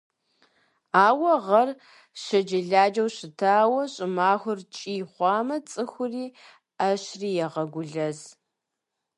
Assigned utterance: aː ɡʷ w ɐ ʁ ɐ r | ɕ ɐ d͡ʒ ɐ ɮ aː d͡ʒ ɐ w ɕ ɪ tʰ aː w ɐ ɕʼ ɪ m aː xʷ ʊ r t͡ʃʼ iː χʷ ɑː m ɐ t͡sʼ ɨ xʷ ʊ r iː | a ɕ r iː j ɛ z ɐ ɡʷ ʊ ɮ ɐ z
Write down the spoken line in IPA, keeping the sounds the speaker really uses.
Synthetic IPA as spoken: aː w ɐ ʁ ɐ r | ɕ ɐ d͡ʒ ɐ ɮ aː d͡ʒ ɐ w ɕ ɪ tʰ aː w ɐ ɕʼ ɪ m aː xʷ ʊ r t͡ʃʼ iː χʷ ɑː m ɐ t͡sʼ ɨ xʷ ʊ r iː | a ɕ r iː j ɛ ʁ ɐ ɡʷ ʊ ɮ ɐ z